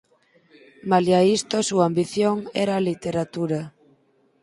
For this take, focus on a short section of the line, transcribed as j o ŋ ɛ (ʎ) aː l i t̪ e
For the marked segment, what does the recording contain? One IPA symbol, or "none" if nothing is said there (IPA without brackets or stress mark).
ɾ